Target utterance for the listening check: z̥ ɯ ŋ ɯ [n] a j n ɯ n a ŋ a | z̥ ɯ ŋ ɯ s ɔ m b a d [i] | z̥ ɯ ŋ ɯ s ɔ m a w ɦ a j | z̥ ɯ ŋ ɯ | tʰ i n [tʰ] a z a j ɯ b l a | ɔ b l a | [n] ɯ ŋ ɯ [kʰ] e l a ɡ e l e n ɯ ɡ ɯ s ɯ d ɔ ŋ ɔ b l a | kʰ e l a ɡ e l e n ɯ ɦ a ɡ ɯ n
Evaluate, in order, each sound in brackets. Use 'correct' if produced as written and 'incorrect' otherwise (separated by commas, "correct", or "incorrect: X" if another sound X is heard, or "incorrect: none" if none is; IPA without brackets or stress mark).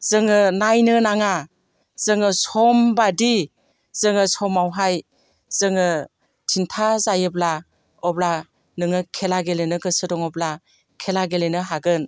correct, correct, correct, correct, correct